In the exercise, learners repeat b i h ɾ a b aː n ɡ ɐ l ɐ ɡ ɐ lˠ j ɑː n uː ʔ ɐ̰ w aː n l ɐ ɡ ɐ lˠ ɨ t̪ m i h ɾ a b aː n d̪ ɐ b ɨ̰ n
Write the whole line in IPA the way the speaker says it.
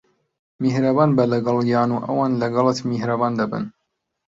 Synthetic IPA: m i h ɾ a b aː n b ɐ l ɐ ɡ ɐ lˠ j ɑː n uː ʔ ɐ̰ w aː n l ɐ ɡ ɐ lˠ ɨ t̪ m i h ɾ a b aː n d̪ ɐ b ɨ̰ n